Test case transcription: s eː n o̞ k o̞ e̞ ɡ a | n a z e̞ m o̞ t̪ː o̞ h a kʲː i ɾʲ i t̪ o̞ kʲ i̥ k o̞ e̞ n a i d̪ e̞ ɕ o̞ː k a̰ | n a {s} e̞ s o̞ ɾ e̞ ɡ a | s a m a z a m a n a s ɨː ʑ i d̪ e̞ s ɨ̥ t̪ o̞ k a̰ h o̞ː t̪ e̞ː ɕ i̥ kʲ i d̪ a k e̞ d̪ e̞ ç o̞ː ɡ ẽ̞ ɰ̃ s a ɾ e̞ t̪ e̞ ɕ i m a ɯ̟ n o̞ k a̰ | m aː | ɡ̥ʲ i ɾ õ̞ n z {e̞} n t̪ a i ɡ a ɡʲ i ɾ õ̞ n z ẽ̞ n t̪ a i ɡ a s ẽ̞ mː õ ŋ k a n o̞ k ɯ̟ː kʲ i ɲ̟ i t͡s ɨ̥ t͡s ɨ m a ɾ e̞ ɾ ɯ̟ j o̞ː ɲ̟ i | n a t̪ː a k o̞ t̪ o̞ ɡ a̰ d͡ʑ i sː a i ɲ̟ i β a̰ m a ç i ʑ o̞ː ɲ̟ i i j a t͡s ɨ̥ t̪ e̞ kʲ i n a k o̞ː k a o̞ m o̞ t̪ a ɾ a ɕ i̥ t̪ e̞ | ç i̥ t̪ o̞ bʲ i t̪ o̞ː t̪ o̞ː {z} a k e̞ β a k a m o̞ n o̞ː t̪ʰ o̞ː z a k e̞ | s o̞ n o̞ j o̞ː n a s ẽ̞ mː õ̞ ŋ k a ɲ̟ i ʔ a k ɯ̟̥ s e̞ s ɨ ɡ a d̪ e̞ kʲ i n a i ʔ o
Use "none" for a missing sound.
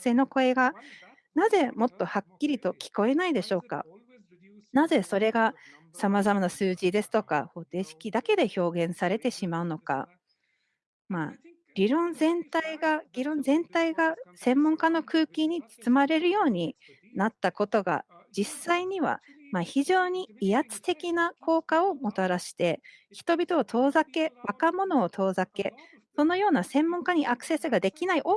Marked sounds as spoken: z, ẽ̞, z

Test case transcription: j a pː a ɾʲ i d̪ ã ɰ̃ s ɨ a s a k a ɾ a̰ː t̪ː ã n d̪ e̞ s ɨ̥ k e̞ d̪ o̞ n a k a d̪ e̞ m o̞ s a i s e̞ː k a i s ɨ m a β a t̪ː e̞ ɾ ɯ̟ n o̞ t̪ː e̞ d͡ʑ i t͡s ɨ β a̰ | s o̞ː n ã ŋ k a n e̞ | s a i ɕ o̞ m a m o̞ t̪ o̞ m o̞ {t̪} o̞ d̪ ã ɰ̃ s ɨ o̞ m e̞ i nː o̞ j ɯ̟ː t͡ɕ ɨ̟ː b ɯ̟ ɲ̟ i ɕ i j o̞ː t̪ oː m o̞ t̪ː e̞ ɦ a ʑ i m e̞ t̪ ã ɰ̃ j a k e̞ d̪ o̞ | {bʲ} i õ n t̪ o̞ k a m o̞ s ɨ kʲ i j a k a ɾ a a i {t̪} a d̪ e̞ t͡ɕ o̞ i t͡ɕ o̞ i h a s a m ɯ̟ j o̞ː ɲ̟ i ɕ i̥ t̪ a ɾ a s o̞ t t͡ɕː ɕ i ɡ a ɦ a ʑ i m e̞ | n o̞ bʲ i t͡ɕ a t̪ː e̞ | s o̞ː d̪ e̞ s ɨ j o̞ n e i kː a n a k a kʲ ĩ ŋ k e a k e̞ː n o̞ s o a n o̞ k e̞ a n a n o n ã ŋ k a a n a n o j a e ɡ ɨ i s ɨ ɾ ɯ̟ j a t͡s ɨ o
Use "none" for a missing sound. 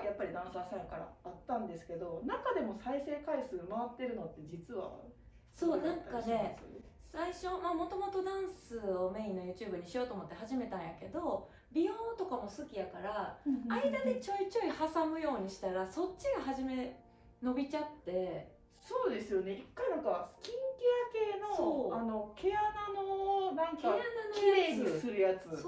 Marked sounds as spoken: t̪, bʲ, d̪

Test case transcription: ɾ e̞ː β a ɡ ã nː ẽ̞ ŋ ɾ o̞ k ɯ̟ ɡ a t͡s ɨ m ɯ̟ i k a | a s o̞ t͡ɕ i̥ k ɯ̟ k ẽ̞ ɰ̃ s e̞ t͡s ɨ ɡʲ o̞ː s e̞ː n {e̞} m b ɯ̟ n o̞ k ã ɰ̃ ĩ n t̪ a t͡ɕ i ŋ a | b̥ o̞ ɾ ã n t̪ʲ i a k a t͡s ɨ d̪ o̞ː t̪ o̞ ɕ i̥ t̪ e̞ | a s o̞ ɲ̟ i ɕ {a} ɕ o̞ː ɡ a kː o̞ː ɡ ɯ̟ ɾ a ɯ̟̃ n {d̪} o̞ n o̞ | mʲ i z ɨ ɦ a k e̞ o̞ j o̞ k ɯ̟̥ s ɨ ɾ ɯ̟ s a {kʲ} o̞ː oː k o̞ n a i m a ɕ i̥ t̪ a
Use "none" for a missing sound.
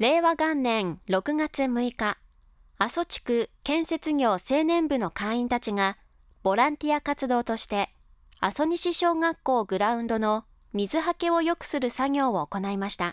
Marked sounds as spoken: ẽ̞, i, d̪, ɡʲ

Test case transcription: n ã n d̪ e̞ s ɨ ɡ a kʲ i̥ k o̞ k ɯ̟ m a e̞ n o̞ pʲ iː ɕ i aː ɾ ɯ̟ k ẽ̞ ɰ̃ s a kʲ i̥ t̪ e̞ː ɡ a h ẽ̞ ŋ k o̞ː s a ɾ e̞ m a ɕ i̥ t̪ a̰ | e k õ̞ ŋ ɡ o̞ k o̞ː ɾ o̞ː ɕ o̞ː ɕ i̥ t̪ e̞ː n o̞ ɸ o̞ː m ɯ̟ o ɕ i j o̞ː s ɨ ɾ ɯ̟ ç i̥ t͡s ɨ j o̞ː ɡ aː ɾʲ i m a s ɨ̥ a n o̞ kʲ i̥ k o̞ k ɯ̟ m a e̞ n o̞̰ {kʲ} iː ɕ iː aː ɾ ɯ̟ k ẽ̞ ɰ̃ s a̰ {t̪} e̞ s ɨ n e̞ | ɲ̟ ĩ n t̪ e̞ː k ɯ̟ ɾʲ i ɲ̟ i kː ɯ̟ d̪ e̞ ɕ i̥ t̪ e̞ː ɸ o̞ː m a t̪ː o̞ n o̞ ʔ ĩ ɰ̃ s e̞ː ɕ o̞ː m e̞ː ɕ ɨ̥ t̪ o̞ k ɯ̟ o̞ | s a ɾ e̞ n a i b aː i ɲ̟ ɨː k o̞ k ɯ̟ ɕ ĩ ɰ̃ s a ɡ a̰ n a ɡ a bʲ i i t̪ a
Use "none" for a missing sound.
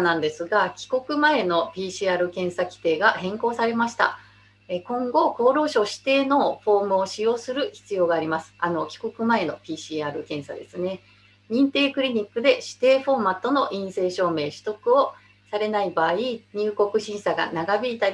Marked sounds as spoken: pʲ, d̪

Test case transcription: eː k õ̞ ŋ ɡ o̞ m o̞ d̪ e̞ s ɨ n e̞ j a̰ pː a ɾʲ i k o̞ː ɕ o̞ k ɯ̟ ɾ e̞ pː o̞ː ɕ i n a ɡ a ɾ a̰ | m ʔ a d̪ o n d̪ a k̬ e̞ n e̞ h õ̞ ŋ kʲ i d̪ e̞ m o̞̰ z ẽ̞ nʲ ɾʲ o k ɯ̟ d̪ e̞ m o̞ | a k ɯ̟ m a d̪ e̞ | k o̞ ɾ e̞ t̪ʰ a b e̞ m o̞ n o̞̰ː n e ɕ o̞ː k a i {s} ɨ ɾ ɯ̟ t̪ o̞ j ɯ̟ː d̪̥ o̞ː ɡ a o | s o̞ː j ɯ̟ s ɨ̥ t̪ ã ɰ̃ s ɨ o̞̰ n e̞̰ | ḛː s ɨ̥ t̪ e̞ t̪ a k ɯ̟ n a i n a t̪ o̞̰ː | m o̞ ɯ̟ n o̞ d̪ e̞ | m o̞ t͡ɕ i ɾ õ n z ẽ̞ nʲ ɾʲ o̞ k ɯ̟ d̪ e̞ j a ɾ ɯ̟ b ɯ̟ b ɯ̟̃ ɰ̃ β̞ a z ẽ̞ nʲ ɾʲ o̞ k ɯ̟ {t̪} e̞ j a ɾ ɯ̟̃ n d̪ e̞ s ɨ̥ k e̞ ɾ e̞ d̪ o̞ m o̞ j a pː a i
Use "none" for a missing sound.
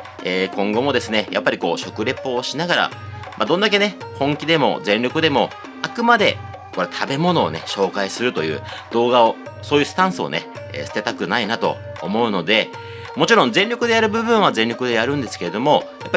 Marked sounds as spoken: s, d̪

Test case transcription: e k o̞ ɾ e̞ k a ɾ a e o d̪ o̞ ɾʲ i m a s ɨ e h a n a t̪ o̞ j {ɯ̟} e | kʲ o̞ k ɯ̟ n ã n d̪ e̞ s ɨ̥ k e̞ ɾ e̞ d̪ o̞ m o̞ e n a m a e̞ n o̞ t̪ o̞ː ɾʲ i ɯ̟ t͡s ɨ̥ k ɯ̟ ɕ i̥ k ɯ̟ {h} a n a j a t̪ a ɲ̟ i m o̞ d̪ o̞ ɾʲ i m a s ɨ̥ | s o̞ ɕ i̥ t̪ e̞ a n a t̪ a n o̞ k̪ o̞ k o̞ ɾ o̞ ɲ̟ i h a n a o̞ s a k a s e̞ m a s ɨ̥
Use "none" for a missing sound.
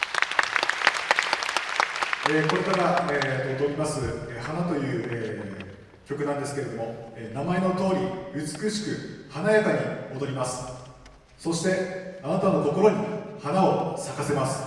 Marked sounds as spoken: ɯ̟ː, h

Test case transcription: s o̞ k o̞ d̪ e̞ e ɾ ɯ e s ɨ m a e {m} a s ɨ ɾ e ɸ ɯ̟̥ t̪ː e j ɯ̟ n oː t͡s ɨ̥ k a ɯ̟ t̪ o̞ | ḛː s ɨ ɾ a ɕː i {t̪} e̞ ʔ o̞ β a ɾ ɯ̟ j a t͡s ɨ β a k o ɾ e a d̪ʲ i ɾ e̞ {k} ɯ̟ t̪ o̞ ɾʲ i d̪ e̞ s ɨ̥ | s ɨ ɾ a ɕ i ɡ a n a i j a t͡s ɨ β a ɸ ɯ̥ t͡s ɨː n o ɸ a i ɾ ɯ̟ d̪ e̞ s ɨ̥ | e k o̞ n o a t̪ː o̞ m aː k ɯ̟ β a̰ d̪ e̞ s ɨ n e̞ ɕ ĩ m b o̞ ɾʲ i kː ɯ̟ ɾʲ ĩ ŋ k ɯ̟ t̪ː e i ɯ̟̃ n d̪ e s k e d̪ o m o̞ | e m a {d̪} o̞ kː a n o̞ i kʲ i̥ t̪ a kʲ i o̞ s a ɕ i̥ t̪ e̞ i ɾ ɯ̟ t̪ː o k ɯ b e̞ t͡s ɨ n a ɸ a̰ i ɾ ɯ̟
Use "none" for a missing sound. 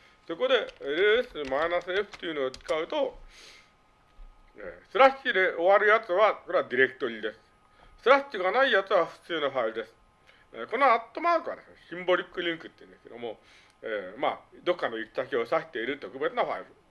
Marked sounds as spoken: n, d̪, k, d̪

